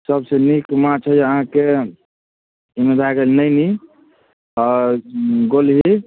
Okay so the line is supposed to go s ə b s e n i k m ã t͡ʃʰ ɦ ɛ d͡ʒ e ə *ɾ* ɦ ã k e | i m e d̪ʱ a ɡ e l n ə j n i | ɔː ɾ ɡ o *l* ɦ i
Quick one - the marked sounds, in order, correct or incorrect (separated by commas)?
incorrect, correct